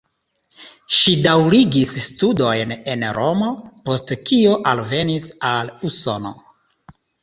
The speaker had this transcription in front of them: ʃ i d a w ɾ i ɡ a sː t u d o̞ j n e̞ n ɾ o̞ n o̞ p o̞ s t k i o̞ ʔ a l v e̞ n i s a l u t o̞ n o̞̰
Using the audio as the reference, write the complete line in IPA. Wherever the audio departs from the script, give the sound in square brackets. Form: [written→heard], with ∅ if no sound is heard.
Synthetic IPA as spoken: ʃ i d a w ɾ i ɡ [a→i] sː t u d o̞ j n e̞ n ɾ o̞ [n→m] o̞ p o̞ s t k i o̞ ʔ a l v e̞ n i s a l u [t→s] o̞ n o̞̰